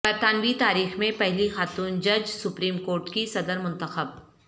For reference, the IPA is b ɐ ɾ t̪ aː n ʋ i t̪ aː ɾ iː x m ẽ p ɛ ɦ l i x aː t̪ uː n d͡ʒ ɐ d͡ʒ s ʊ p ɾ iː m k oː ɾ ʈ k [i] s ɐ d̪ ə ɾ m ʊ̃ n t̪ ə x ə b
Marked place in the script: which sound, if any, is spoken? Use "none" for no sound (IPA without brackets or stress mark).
i